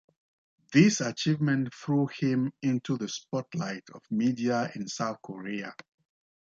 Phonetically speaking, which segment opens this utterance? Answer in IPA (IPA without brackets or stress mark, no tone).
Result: ð